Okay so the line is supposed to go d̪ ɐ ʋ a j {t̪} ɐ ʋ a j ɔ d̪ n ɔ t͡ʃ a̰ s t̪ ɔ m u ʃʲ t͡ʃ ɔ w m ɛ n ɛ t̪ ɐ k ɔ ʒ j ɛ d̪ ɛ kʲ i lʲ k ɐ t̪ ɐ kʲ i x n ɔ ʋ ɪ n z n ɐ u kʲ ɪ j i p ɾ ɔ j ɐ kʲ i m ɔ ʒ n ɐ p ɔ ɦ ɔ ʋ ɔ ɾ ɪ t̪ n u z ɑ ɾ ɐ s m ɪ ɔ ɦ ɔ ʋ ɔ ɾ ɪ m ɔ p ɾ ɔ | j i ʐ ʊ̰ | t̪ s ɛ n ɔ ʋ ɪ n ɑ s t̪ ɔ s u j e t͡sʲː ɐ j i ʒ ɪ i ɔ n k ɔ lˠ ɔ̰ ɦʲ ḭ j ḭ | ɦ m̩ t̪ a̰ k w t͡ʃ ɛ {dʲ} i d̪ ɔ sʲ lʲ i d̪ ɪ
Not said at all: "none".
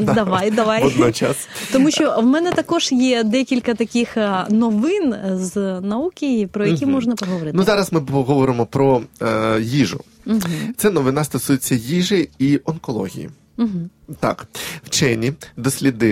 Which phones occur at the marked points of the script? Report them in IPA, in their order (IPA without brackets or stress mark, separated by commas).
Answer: d̪, nʲ